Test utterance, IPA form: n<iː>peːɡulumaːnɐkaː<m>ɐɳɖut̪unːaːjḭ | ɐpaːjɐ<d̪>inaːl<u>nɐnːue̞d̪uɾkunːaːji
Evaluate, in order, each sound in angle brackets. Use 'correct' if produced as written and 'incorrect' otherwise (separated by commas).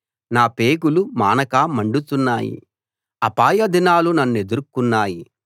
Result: incorrect, correct, correct, correct